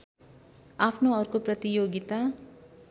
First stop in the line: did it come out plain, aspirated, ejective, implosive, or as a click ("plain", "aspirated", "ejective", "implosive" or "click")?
aspirated